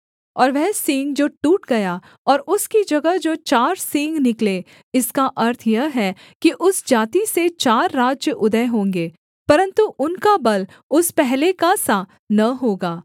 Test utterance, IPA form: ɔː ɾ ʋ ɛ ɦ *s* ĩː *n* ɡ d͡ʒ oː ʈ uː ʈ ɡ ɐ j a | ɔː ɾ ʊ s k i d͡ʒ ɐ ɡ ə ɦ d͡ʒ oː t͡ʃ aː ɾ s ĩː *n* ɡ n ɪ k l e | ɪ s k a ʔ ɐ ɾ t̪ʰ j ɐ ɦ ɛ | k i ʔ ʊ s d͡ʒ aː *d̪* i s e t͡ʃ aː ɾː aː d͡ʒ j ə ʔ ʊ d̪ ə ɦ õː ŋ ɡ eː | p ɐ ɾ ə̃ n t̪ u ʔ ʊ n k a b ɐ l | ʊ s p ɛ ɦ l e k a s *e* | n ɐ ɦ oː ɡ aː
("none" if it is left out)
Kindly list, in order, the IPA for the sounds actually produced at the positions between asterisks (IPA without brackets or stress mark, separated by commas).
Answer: s, ŋ, ŋ, t̪, a